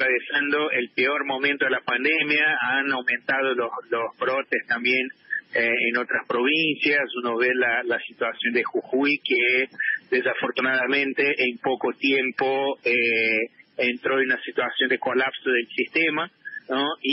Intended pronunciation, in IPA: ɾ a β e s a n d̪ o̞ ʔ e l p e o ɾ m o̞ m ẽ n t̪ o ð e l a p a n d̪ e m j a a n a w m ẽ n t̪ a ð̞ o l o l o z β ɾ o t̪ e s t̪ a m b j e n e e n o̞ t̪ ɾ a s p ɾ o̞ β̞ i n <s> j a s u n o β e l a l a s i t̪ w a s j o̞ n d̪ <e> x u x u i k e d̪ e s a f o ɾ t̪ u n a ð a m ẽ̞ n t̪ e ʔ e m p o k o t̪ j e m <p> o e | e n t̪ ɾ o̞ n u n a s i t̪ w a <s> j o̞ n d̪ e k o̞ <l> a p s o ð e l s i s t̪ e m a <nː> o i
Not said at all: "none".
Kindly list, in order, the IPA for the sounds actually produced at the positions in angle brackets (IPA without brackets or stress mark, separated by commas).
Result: s, e, p, s, l, n